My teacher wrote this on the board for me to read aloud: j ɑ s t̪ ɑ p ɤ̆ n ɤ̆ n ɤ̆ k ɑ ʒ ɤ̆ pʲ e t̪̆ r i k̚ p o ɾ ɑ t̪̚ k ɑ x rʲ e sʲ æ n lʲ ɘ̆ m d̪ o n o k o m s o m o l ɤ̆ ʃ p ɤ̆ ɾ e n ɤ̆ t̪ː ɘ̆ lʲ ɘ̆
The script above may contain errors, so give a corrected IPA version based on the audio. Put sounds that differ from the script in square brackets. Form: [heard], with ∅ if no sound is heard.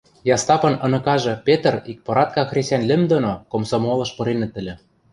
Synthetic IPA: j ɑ s t̪ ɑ p ɤ̆ n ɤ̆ n ɤ̆ k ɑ ʒ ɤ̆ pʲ e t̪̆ r i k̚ p o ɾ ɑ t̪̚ k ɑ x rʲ e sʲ æ n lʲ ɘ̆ m d̪ o n o k o m s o m o l ɤ̆ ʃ p ɤ̆ ɾ e n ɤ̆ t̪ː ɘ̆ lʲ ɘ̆